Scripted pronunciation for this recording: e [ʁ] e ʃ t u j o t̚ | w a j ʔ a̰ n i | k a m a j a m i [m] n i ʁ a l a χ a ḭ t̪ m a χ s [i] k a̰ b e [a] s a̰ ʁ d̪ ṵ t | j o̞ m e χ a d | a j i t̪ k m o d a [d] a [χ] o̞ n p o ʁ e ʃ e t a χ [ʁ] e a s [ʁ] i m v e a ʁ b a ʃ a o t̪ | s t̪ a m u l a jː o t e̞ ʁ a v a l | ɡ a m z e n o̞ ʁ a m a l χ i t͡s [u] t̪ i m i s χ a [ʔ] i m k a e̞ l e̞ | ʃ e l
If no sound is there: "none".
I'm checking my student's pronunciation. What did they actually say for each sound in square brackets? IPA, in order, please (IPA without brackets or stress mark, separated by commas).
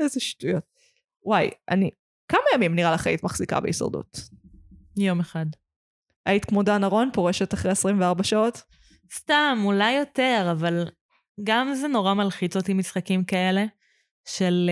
z, m, i, i, n, ʁ, ʁ, ʁ, o, k